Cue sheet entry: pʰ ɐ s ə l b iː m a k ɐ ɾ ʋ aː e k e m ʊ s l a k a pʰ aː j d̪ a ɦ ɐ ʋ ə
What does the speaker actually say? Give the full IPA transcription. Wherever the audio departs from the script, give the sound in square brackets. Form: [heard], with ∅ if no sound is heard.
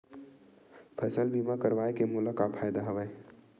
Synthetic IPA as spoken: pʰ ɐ s ə l b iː m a k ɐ ɾ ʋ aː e k e m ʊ [∅] l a k a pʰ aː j d̪ a ɦ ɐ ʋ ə